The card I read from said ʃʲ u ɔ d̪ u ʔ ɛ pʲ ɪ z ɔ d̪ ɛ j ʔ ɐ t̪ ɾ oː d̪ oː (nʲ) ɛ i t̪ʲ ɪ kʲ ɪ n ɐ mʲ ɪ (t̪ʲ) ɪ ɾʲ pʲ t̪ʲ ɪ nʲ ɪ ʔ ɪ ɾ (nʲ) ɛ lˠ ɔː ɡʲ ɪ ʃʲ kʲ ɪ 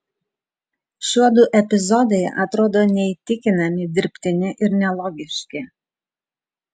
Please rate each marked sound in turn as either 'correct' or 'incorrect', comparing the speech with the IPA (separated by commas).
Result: correct, incorrect, correct